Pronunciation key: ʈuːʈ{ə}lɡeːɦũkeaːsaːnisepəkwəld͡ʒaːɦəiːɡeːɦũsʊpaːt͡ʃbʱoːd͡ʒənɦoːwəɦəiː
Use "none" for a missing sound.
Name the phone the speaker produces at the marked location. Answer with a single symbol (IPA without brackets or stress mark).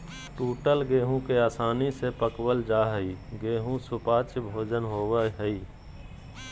ə